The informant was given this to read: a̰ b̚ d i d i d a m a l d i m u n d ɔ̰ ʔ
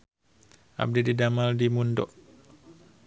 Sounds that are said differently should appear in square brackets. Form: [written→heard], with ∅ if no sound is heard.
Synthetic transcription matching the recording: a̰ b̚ d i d i d a m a l d i m u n d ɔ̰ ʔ